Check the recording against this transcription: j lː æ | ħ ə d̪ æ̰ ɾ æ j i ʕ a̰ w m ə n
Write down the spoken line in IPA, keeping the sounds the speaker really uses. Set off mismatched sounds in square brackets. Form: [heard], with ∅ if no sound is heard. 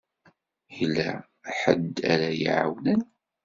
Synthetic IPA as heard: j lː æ | ħ ə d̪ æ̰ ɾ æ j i ʕ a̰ w [n] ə n